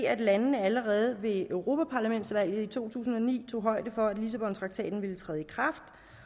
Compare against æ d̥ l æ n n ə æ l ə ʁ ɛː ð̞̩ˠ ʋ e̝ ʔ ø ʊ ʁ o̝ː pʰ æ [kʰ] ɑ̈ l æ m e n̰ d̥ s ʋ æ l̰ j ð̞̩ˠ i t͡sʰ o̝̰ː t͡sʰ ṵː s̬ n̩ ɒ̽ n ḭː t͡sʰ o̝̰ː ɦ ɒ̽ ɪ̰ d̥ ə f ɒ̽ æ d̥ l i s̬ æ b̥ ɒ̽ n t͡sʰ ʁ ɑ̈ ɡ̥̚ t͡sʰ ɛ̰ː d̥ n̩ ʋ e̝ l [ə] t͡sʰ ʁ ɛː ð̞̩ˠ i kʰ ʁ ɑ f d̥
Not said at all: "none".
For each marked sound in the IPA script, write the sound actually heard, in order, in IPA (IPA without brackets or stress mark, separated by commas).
pʰ, ə